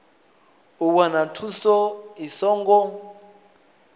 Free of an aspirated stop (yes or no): no